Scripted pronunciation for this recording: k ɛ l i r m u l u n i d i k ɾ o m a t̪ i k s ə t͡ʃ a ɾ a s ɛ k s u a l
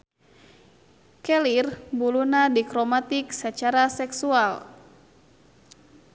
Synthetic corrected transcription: k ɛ l i r b u l u n a d i k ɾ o m a t̪ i k s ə t͡ʃ a ɾ a s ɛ k s u a l

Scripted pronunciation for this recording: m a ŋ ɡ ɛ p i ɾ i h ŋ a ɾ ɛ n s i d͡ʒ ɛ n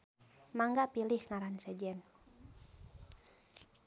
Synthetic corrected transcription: m a ŋ ɡ a p i l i h ŋ a ɾ a n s ɛ d͡ʒ ɛ n

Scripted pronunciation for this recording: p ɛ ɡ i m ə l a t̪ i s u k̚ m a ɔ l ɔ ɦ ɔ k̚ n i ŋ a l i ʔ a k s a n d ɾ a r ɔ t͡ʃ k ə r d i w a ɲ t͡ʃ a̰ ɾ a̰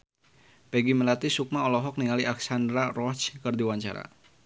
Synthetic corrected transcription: p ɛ ɡ i m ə l a t̪ i s u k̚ m a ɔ l ɔ ɦ ɔ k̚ n i ŋ a l i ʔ a k s a n d ɾ a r ɔ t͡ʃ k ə r d i w a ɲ t͡ʃ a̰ ɾ a̰

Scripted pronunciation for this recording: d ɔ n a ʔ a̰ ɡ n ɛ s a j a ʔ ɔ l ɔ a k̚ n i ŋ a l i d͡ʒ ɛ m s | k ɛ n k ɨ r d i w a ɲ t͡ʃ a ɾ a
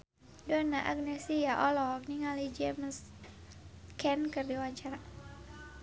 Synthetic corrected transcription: d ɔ n a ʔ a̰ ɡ n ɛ s i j a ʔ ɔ l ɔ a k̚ n i ŋ a l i d͡ʒ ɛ m s | k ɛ n k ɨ r d i w a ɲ t͡ʃ a ɾ a

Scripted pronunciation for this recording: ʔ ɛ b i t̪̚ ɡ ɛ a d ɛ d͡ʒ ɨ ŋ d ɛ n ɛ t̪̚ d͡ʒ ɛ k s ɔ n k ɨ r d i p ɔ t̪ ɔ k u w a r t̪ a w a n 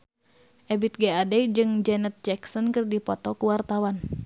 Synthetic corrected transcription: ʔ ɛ b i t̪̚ ɡ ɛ a d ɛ d͡ʒ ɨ ŋ d͡ʒ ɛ n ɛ t̪̚ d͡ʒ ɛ k s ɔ n k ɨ r d i p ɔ t̪ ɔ k u w a r t̪ a w a n

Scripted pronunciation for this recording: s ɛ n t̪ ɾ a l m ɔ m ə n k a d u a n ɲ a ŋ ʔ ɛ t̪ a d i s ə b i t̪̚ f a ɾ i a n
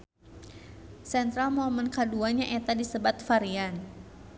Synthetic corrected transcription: s ɛ n t̪ ɾ a l m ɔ m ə n k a d u a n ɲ a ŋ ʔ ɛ t̪ a d i s ə b a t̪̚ f a ɾ i a n

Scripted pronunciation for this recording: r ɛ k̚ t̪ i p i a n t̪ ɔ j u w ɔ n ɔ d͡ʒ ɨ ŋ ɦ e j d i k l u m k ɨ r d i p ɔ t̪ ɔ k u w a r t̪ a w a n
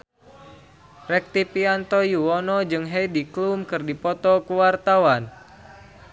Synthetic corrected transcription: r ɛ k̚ t̪ i p i a n t̪ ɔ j u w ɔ n ɔ d͡ʒ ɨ ŋ ɦ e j d i k l u m k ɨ r d i p ɔ t̪ ɔ k u w a r t̪ a w a n

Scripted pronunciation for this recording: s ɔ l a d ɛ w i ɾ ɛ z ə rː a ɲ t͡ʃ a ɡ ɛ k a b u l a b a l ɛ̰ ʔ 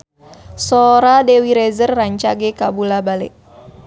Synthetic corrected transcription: s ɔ ɾ a d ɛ w i ɾ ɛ z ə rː a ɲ t͡ʃ a ɡ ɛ k a b u l a b a l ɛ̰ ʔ

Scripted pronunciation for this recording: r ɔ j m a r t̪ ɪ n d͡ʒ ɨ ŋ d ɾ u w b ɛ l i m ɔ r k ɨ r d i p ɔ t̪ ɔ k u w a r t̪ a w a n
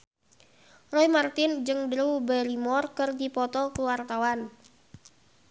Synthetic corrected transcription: r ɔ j m a r t̪ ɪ n d͡ʒ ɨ ŋ d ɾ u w b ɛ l i m ɔ r k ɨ r d i p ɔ t̪ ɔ k u w a r t̪ a w a n

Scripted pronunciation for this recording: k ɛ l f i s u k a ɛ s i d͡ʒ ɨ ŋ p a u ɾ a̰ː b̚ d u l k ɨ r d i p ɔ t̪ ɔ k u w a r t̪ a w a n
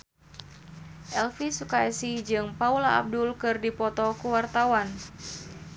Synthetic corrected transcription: ʔ ɛ l f i s u k a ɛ s i d͡ʒ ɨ ŋ p a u l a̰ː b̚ d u l k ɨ r d i p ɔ t̪ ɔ k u w a r t̪ a w a n

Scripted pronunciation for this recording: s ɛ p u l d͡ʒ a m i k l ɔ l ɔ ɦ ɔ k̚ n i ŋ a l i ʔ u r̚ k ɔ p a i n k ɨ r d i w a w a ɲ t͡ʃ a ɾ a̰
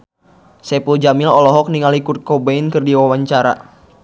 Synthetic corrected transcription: s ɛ p u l d͡ʒ a m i l ɔ l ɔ ɦ ɔ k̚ n i ŋ a l i k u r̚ k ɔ b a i n k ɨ r d i w a w a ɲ t͡ʃ a ɾ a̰

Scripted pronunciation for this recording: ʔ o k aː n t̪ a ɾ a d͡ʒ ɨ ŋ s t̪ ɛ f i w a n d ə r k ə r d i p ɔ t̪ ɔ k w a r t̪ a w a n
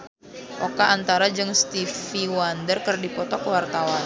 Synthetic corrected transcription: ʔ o k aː n t̪ a ɾ a d͡ʒ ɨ ŋ s t̪ i f i w a n d ə r k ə r d i p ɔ t̪ ɔ k w a r t̪ a w a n

